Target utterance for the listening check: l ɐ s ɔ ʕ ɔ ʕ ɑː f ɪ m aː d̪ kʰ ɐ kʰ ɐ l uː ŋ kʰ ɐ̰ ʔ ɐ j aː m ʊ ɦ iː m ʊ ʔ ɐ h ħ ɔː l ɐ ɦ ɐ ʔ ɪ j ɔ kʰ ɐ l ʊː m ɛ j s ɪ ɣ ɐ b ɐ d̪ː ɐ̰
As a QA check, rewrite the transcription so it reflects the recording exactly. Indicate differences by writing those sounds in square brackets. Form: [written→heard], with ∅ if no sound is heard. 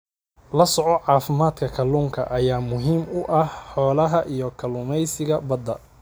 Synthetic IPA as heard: l ɐ s ɔ ʕ ɔ ʕ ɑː f ɪ m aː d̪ kʰ ɐ kʰ ɐ l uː ŋ kʰ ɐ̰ ʔ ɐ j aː m ʊ ɦ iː m ʊ ʔ ɐ h ħ ɔː l ɐ ɦ ɐ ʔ [ɪ→i] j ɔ kʰ ɐ l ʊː m ɛ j s ɪ ɣ ɐ b ɐ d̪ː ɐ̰